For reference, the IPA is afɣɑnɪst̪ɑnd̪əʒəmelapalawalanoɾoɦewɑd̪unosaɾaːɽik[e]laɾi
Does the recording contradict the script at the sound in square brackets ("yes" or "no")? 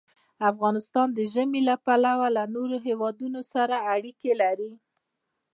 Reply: no